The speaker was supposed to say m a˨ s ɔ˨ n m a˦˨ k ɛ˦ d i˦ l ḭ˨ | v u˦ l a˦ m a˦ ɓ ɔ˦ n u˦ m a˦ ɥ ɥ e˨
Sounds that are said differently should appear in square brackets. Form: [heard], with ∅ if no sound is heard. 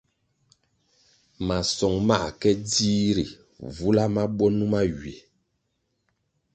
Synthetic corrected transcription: m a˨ s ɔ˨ [ŋ] m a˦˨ k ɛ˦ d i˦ [ɾ] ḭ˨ | v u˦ l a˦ m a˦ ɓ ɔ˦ n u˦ m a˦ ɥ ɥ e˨

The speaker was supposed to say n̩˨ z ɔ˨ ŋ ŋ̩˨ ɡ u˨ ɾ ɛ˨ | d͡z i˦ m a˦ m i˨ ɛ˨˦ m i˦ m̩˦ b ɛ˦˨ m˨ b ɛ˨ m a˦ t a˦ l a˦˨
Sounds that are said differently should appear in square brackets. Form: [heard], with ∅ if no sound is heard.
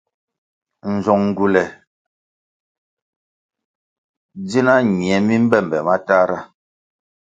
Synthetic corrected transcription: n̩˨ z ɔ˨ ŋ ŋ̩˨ ɡ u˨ [l] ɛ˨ | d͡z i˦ [n] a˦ [ɲ] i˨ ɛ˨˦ m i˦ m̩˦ b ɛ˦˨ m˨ b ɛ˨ m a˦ t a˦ [ɾ] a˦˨

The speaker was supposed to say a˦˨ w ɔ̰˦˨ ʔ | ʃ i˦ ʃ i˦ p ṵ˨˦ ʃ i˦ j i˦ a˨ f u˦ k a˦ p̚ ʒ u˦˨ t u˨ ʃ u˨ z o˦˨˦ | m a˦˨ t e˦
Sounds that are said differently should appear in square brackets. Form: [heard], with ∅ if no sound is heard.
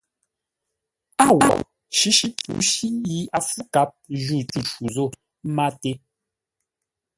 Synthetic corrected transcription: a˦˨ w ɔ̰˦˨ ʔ | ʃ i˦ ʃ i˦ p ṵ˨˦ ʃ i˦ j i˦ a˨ f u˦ k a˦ p̚ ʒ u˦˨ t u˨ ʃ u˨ z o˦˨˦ | m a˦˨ t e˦

